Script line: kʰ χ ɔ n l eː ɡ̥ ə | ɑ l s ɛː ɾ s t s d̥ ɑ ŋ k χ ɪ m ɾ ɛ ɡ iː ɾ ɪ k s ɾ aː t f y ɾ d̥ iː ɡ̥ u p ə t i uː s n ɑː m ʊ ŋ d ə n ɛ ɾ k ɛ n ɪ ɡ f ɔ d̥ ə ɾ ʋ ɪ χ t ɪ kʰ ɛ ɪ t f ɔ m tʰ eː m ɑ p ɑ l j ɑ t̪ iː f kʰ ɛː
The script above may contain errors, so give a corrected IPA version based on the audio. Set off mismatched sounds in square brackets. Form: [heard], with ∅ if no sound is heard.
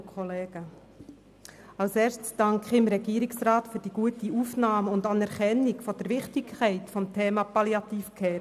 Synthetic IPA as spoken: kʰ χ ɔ [∅] l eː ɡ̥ ə | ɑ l s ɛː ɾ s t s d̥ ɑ ŋ k χ ɪ m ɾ ɛ ɡ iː ɾ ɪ k s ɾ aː t f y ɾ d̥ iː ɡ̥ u [∅] ə t i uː [f] n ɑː m ʊ [n] d [ɑ] n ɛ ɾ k ɛ n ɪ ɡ f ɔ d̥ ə ɾ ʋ ɪ χ t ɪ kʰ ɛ ɪ t f ɔ m tʰ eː m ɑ p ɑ l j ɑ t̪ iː f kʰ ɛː